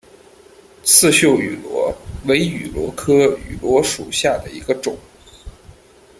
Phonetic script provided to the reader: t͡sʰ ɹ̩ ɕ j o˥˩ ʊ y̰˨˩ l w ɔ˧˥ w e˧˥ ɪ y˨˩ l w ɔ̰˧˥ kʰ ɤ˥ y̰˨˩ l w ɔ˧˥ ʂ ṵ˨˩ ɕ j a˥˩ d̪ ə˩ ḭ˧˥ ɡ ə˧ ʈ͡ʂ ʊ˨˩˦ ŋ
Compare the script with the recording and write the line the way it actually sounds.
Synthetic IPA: t͡sʰ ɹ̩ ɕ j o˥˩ ʊ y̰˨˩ l w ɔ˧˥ w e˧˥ ɪ y˨˩ l w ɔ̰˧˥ kʰ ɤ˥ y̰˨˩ l w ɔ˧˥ ʂ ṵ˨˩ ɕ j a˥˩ d̪ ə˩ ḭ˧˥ ɡ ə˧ ʈ͡ʂ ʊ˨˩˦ ŋ